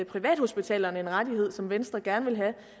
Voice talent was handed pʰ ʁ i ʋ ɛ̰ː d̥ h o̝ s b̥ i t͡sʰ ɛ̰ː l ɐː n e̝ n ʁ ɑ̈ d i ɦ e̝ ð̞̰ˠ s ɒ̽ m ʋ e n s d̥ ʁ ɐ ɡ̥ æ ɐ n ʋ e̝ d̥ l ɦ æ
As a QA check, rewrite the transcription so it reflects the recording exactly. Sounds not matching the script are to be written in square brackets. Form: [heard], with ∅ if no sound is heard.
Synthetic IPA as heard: pʰ ʁ i ʋ ɛ̰ː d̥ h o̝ s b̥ i t͡sʰ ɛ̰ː l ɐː n e̝ n ʁ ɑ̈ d i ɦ e̝ ð̞̰ˠ s ɒ̽ m ʋ e n s d̥ ʁ ɐ ɡ̥ æ ɐ n ʋ e̝ [∅] l ɦ æ

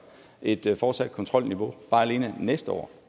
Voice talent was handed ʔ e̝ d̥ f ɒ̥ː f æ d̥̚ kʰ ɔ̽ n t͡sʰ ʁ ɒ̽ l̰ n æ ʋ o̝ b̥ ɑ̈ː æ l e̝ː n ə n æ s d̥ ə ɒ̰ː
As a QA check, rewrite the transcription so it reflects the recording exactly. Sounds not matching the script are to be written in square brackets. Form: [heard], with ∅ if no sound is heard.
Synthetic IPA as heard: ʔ e̝ d̥ f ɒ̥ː [s] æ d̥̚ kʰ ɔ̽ n t͡sʰ ʁ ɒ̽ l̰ n [i] ʋ o̝ b̥ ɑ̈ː æ l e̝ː n ə n [e] s d̥ ə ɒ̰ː

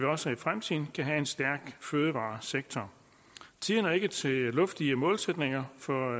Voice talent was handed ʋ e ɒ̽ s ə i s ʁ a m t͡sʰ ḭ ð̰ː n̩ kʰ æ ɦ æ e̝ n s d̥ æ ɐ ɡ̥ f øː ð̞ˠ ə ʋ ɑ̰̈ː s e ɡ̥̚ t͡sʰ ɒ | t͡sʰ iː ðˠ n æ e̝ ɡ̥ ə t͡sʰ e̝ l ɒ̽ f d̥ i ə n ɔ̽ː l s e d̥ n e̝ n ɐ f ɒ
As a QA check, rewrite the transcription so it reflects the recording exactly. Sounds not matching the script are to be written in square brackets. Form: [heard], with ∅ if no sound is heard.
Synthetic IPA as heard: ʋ [i] ɒ̽ s ə i [f] ʁ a m t͡sʰ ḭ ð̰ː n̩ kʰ æ ɦ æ e̝ n s d̥ æ ɐ ɡ̥ f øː ð̞ˠ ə ʋ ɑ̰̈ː s e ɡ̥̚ t͡sʰ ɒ | t͡sʰ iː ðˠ n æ e̝ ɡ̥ ə t͡sʰ e̝ l [ɔ̽] f d̥ i ə [m] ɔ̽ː l s e d̥ n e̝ [ŋ] ɐ f ɒ

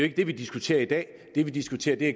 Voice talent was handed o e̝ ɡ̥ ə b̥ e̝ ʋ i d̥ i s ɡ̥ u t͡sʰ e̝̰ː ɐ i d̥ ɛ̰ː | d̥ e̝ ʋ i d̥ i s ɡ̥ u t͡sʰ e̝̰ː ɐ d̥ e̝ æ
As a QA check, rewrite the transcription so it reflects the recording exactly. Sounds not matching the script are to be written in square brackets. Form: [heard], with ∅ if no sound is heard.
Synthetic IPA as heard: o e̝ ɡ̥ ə [d̥] e̝ ʋ i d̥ i s ɡ̥ u t͡sʰ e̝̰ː ɐ i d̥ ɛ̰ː | d̥ e̝ ʋ i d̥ i s ɡ̥ u t͡sʰ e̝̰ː ɐ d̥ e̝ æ

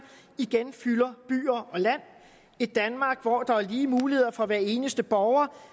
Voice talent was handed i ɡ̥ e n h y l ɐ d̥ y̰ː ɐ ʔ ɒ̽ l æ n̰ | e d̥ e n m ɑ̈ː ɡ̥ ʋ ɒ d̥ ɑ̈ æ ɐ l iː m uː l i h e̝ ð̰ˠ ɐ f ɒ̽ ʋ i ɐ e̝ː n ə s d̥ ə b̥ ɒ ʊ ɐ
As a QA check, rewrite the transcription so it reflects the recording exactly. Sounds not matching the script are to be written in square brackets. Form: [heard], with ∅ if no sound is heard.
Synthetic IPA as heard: i ɡ̥ e n [f] y l ɐ [b̥] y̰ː ɐ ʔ ɒ̽ l æ n̰ | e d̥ [æ] n m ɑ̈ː ɡ̥ ʋ ɒ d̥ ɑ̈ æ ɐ l iː m uː l i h e̝ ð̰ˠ ɐ f ɒ̽ ʋ [æ] ɐ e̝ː n ə s d̥ ə b̥ ɒ ʊ ɐ

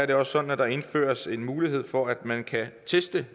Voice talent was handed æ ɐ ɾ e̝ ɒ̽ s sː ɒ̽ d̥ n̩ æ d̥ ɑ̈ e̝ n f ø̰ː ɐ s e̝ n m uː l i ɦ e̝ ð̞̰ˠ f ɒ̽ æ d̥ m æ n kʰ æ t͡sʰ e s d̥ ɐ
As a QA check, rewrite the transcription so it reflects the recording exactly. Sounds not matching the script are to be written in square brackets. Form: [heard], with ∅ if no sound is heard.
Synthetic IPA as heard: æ ɐ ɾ e̝ ɒ̽ s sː ɒ̽ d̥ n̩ æ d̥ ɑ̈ e̝ n f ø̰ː ɐ s e̝ n m uː l i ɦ e̝ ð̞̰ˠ f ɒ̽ æ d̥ m æ n kʰ æ t͡sʰ e s d̥ [ə]

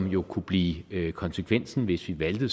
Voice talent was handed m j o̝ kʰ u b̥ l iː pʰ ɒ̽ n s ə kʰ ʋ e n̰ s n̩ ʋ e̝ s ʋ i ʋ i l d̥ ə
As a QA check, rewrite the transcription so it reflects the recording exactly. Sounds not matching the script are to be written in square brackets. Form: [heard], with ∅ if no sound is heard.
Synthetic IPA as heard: m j o̝ kʰ u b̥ l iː [kʰ] ɒ̽ n s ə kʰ ʋ e n̰ s n̩ ʋ e̝ s ʋ i ʋ [æ] l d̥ ə

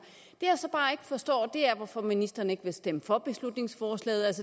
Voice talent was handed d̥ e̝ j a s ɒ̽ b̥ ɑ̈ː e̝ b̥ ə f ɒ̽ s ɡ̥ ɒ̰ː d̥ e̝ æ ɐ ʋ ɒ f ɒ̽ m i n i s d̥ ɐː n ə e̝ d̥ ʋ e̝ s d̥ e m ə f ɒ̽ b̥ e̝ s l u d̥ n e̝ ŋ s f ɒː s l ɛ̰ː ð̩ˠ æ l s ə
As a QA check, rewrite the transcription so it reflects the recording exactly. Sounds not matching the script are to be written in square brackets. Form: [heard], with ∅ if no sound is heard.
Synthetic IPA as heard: d̥ e̝ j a s ɒ̽ b̥ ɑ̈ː e̝ [ɡ̥] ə f ɒ̽ s [d̥] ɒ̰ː d̥ e̝ æ ɐ ʋ ɒ f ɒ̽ m i n i s d̥ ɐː n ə e̝ [ɡ̥] ʋ e̝ s d̥ e m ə f ɒ̽ b̥ e̝ s l u d̥ n e̝ ŋ s f ɒː s l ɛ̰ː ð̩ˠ æ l s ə

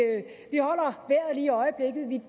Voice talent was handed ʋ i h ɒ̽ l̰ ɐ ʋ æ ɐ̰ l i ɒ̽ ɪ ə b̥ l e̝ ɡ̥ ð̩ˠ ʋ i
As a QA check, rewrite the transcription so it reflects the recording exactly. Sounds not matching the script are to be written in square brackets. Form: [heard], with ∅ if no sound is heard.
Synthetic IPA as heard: ʋ i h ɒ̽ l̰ ɐ ʋ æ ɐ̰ l [iː] ɒ̽ ɪ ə b̥ l e̝ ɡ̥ ð̩ˠ ʋ i

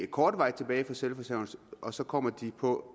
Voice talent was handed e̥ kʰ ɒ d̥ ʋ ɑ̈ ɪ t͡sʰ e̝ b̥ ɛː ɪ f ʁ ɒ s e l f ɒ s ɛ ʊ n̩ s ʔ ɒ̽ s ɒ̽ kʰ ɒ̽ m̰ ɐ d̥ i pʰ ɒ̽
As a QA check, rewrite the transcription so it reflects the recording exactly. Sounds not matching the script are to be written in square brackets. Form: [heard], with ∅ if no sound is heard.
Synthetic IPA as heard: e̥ kʰ [ɒː] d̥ ʋ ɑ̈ ɪ t͡sʰ e̝ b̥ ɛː ɪ f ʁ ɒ s e l f ɒ s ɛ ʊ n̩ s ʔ ɒ̽ s ɒ̽ kʰ ɒ̽ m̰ ɐ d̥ i pʰ ɒ̽

